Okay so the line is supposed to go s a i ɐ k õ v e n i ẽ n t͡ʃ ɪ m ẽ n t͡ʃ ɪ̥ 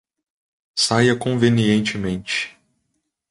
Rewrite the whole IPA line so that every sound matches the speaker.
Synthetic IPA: s a j ɐ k õ v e n i ẽ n t͡ʃ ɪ m ẽ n t͡ʃ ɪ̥